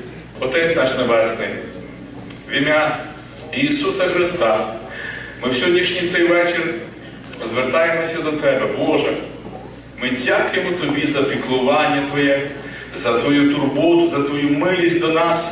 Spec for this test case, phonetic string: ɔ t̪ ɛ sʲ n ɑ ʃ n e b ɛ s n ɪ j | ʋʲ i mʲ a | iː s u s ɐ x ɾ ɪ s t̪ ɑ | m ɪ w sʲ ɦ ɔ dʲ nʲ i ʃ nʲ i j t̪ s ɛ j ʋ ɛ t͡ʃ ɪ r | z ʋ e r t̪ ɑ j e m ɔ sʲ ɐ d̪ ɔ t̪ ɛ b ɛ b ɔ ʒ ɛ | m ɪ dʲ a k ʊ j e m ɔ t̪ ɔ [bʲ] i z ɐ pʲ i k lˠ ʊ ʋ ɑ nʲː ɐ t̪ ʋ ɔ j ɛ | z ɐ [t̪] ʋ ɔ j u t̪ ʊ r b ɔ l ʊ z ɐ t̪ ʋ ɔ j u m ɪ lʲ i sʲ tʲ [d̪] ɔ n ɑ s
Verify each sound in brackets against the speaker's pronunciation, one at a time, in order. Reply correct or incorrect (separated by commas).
correct, correct, correct